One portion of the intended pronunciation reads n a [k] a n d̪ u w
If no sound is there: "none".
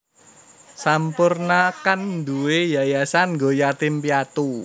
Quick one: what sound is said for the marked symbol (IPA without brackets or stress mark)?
k